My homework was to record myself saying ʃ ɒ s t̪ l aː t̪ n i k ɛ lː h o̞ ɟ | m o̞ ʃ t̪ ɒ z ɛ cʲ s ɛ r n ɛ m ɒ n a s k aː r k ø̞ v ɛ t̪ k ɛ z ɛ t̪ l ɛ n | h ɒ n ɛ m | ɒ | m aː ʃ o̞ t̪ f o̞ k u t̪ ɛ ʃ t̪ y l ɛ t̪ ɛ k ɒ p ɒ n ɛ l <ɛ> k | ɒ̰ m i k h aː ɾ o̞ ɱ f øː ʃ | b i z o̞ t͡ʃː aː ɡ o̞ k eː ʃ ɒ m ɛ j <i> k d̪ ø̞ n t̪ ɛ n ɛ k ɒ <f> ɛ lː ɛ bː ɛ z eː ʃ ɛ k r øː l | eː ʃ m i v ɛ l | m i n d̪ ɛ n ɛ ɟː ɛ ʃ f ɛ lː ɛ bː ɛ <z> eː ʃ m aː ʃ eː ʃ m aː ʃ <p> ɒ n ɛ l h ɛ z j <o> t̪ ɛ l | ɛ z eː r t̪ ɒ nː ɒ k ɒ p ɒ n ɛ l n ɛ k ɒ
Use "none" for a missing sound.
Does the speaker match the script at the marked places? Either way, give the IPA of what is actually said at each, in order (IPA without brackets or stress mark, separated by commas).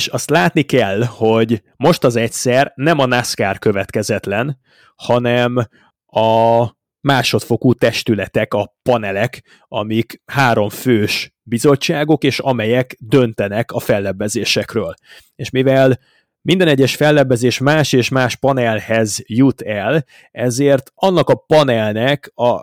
ɛ, ɛ, f, z, p, u